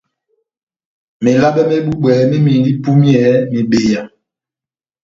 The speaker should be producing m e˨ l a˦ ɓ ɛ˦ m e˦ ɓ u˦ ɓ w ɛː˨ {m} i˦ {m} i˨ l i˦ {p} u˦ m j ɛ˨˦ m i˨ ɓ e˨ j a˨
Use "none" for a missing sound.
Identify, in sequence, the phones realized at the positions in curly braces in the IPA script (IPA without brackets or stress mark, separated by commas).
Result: m, m, p